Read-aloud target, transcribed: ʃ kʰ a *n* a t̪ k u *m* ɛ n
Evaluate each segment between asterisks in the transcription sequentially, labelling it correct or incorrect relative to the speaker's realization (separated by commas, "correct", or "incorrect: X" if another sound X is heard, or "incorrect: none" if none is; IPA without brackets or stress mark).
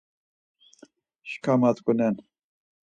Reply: incorrect: m, incorrect: n